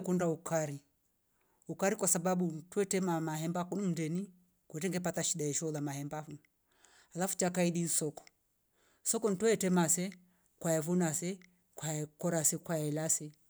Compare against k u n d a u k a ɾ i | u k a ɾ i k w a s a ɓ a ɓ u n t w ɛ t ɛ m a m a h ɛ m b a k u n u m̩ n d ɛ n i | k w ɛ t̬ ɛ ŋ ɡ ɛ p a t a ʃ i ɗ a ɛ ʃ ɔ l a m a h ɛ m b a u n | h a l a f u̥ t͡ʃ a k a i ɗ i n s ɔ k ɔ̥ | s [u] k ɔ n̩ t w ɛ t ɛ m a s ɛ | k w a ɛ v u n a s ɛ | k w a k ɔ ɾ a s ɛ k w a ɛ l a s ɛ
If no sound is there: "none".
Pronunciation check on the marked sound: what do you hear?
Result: ɔ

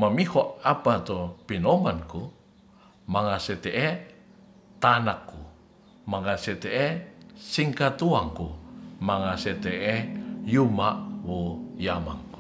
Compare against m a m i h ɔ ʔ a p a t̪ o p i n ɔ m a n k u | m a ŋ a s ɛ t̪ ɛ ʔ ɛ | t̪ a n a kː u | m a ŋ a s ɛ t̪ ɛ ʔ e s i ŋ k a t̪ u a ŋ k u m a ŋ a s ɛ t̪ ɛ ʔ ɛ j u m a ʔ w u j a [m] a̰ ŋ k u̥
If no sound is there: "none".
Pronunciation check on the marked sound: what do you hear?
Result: m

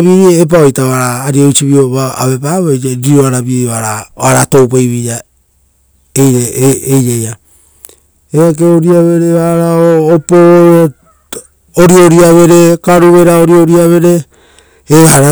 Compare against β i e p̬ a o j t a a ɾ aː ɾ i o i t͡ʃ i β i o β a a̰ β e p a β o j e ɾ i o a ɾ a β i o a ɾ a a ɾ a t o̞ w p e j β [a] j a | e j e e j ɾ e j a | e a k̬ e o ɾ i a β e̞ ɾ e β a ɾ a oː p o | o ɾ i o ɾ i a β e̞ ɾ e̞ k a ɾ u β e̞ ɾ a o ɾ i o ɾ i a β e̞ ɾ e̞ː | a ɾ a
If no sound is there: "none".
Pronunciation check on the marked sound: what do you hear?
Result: i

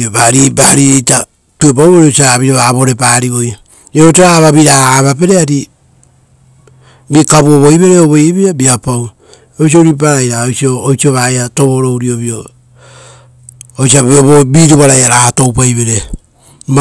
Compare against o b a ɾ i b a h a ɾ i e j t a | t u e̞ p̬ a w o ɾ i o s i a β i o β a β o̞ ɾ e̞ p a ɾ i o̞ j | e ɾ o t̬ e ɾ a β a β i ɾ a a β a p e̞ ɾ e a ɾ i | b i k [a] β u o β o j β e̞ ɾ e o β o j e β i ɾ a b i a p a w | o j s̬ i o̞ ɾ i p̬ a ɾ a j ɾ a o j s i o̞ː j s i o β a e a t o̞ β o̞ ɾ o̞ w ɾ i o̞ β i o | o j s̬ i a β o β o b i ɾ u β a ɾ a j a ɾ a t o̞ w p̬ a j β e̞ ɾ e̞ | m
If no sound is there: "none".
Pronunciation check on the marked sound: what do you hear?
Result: a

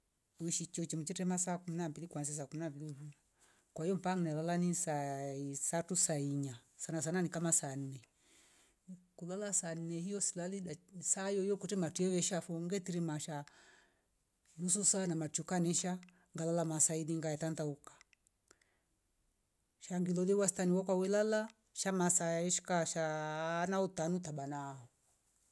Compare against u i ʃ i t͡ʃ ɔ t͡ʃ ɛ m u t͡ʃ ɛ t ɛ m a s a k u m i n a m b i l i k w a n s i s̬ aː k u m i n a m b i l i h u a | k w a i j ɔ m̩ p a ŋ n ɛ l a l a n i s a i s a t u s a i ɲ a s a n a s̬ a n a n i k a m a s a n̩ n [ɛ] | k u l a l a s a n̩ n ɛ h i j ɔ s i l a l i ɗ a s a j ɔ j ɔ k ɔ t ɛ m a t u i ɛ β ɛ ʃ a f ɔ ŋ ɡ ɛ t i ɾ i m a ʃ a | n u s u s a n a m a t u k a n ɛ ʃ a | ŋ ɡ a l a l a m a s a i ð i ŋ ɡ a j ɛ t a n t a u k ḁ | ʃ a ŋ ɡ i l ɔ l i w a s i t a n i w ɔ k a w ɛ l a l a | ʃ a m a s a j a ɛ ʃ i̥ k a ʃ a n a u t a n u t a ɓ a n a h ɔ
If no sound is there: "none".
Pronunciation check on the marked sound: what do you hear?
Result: ɛ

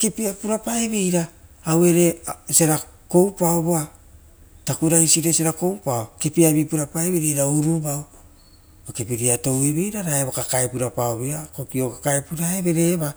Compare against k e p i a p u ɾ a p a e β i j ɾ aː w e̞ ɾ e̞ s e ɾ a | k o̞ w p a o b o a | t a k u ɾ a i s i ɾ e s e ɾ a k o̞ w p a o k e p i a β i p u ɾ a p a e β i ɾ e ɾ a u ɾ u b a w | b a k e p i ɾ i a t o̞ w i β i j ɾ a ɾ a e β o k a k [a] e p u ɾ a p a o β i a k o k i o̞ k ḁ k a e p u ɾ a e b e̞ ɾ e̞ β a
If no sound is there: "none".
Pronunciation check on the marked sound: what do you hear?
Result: a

